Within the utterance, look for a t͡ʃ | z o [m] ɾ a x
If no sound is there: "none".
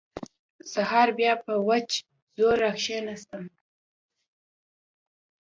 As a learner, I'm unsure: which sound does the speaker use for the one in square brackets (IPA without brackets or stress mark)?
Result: none